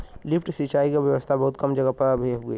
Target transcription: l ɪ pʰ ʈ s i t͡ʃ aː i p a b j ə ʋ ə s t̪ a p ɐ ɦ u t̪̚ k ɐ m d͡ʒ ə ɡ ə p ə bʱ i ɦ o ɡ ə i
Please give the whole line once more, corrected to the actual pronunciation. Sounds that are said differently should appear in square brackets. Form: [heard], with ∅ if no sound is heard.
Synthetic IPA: l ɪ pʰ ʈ s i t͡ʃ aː i [k] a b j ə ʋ ə s [t̪ʰ] a [b] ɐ ɦ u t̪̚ k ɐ m d͡ʒ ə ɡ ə p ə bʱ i ɦ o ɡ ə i